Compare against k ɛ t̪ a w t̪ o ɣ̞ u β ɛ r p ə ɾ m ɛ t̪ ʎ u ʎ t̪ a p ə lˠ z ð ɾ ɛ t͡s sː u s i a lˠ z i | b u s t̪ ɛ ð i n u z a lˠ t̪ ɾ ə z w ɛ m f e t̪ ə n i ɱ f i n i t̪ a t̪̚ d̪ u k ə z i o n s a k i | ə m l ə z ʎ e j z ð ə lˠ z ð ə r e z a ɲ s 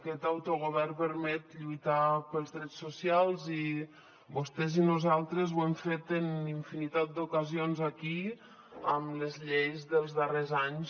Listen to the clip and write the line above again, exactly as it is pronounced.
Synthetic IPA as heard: k ɛ t̪ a w t̪ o ɣ̞ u β ɛ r p ə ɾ m ɛ t̪ ʎ u j t̪ a p ə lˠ z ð ɾ ɛ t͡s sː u s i a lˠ z i | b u s t̪ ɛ z i n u z a lˠ t̪ ɾ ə z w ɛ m f e t̪ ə n i ɱ f i n i t̪ a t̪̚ d̪ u k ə z i o n z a k i | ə m l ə z ʎ e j z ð ə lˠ z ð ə r e z a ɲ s

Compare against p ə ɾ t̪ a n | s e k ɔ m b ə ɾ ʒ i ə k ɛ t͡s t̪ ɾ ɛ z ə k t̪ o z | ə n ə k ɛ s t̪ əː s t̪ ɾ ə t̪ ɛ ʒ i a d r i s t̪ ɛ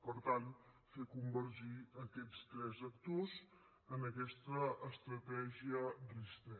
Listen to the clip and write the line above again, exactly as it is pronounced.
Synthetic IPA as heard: p ə ɾ t̪ a n | f e k u m b ə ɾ ʒ i ə k ɛ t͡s t̪ ɾ ɛ z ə k t̪ o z | ə n ə k ɛ s t̪ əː s t̪ ɾ ə t̪ ɛ ʒ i ə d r i s t̪ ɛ

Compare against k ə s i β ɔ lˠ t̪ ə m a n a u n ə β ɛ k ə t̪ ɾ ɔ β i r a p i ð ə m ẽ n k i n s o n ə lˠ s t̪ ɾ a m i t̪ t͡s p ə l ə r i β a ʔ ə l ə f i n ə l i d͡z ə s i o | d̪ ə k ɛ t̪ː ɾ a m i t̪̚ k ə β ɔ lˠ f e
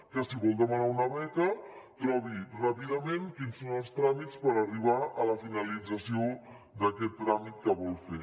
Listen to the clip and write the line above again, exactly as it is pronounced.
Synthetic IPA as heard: k ə s i β ɔ lˠ d̪ ə m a n a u n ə β ɛ k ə t̪ ɾ ɔ β i r a p i ð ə m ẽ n k i n s o n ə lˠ s t̪ ɾ a m i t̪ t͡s p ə ɾ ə r i β a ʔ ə l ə f i n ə l i d͡z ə s i o | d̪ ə k ɛ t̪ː ɾ a m i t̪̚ k ə β ɔ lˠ f e

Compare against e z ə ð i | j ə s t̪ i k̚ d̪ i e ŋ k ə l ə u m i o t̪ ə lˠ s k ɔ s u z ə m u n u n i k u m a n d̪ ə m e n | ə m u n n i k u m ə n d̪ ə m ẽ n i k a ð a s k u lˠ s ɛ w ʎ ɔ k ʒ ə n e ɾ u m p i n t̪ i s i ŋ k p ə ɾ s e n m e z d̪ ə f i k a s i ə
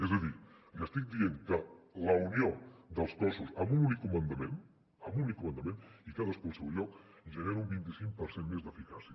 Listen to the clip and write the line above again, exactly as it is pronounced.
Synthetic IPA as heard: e z ə ð i | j ə s t̪ i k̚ d̪ i e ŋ k ə l ə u n i o d̪ ə lˠ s k ɔ s u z ə m u n u n i k u m ə n d̪ ə m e n | ə m u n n i k u m ə n d̪ ə m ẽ n i k a ð ə s k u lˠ s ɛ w ʎ ɔ k ʒ ə n e ɾ u m b i n t̪ i s i ŋ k p ə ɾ s e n m e z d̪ ə f i k a s i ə

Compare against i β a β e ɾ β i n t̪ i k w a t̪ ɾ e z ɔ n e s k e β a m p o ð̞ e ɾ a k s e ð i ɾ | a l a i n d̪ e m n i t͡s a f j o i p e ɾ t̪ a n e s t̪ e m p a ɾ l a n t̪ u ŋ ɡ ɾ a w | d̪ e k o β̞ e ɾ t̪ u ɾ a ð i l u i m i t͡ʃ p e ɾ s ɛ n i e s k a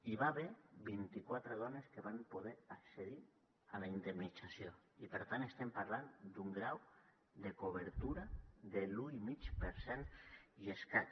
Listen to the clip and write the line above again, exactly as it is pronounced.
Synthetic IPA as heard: i β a β e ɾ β i n t̪ i k w a t̪ ɾ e ð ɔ n e s k e β a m p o ð̞ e ɾ a k s e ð i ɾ | a l a i n d̪ e m n i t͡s a s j o i p e ɾ t̪ a n e s t̪ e m p a ɾ l a n d̪ u ŋ ɡ ɾ a w | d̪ e k o β̞ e ɾ t̪ u ɾ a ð e l u i m i t͡ʃ p e ɾ s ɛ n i e s k a

